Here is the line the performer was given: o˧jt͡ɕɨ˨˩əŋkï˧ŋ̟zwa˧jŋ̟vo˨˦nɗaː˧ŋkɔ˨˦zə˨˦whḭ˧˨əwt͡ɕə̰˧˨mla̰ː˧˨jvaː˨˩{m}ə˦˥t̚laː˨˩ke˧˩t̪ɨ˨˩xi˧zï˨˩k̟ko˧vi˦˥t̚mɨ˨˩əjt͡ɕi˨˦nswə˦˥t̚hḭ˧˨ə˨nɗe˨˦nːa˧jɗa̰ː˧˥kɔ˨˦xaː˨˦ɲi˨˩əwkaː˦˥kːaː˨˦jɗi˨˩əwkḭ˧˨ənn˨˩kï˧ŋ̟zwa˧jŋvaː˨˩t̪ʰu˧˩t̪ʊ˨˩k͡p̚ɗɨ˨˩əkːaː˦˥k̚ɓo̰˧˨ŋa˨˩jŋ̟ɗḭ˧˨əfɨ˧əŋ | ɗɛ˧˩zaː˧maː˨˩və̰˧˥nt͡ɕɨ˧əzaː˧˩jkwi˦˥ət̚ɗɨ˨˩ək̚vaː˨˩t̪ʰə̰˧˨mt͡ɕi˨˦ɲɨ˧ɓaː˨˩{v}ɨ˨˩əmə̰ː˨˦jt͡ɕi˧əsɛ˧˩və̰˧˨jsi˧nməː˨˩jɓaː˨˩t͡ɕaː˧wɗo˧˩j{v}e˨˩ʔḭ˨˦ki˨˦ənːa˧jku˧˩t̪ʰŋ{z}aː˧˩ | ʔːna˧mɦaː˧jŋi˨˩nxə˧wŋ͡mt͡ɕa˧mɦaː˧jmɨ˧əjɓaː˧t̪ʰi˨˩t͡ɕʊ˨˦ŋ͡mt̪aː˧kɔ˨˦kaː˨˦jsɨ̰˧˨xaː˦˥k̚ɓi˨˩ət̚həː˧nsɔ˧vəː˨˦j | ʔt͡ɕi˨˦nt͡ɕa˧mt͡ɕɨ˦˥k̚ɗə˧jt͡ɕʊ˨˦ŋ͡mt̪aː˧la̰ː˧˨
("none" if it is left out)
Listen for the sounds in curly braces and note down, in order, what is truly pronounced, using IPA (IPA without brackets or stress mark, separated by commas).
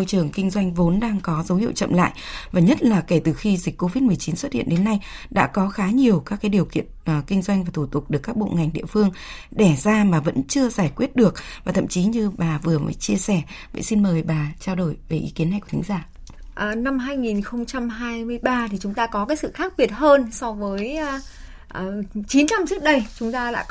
ɲ, v, v, z